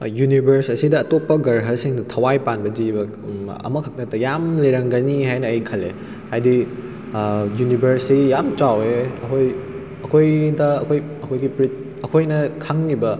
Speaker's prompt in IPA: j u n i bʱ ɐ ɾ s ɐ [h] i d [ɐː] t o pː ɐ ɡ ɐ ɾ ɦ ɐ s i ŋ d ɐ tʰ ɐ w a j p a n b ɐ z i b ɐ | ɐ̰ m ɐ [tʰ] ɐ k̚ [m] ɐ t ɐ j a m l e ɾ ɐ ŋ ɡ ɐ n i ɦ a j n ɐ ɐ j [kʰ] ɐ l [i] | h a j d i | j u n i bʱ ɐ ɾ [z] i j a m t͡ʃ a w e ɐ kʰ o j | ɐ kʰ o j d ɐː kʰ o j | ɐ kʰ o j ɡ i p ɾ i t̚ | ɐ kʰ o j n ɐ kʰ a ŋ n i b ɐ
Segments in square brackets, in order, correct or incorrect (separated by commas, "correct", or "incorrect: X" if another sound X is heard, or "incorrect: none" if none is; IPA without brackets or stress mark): incorrect: s, correct, incorrect: kʰ, incorrect: n, correct, incorrect: e, incorrect: s